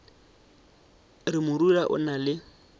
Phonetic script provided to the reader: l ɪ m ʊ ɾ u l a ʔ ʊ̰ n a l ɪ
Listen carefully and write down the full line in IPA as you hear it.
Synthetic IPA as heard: r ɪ m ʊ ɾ u l a ʔ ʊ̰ n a l ɪ